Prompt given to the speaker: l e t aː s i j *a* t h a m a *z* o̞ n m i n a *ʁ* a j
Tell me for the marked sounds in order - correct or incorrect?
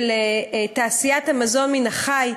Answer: correct, correct, incorrect: χ

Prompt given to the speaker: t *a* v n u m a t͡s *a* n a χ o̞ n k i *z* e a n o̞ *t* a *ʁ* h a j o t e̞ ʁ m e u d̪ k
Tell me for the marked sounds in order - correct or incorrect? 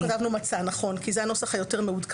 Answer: correct, correct, correct, incorrect: s, incorrect: χ

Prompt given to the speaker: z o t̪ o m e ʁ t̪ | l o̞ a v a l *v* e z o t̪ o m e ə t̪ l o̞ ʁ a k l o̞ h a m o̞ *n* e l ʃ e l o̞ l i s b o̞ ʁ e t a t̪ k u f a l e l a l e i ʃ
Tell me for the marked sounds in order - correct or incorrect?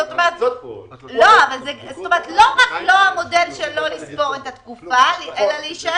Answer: incorrect: z, incorrect: d

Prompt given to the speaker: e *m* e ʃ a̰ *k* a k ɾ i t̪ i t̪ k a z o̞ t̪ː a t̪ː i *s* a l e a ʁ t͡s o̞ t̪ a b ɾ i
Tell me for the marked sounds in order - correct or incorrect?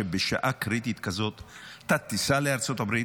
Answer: incorrect: b, incorrect: ʔ, correct

